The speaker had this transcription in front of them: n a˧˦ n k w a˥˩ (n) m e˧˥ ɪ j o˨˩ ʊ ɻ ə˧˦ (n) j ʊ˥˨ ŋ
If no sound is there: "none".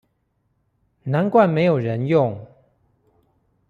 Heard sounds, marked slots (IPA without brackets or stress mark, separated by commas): n, n